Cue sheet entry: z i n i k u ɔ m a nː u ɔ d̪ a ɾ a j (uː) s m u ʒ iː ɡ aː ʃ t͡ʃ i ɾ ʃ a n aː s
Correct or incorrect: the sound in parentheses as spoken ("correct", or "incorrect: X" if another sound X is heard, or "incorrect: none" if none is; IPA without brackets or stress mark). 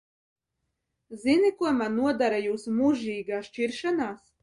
correct